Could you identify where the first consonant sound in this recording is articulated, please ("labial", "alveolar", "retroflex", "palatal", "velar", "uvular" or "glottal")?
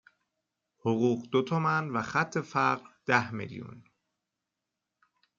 glottal